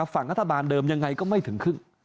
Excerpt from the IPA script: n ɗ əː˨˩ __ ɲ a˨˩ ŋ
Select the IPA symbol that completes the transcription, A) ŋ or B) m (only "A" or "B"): B